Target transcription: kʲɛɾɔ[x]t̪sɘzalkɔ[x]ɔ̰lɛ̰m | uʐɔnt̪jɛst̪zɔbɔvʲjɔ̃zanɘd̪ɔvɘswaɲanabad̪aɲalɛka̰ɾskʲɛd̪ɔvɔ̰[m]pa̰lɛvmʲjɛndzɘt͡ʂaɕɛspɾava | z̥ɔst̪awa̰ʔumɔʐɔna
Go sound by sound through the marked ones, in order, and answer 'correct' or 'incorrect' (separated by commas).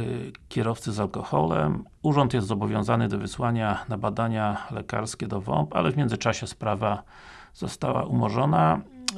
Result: incorrect, correct, correct